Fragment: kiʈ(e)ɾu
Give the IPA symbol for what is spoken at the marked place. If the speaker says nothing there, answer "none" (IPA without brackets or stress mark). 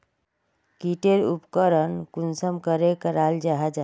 e